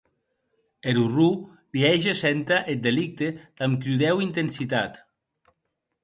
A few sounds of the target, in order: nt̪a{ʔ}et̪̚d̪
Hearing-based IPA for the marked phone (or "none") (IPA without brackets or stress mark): ʔ